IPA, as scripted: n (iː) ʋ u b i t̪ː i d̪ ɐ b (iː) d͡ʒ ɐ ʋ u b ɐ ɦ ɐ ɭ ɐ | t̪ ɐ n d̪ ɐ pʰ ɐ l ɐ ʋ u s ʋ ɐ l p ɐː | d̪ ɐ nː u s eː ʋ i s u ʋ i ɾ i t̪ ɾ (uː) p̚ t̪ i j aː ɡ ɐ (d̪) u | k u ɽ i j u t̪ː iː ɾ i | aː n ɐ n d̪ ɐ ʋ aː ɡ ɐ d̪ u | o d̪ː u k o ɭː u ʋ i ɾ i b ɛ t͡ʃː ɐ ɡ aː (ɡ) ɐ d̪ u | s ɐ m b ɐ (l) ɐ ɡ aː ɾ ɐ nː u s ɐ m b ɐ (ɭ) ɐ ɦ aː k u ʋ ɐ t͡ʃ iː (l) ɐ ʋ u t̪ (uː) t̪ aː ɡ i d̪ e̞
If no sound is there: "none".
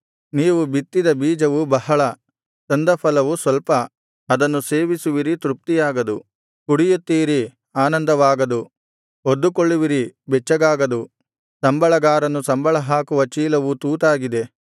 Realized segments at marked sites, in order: iː, iː, u, d̪, ɡ, ɭ, ɭ, l, uː

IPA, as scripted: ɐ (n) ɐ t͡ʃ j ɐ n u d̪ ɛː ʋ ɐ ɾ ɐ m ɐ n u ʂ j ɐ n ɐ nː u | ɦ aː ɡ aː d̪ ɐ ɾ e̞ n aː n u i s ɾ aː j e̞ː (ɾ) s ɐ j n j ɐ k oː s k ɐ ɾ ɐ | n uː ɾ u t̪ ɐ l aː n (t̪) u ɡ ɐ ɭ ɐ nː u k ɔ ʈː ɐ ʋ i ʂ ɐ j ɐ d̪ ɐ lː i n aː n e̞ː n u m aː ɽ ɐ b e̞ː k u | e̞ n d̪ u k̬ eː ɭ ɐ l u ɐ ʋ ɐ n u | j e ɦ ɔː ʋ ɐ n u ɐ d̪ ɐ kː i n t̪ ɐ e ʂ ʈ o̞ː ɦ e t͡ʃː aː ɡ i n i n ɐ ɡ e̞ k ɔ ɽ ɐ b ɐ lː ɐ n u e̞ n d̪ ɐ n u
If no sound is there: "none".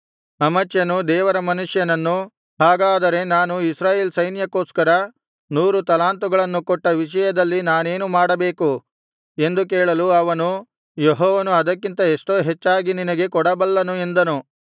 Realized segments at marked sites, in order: m, l, t̪

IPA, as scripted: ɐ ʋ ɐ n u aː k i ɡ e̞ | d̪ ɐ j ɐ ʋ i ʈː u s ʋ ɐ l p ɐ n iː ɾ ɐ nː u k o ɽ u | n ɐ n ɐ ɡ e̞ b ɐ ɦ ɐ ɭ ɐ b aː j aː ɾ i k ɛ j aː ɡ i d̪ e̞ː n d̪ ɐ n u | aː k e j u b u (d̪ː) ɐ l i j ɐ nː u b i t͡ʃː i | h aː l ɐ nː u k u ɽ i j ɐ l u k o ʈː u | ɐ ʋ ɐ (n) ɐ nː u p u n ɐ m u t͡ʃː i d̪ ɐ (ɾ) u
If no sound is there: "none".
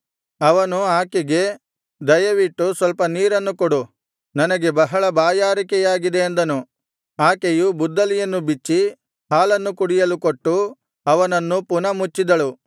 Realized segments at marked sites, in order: d̪ː, n, ɭ

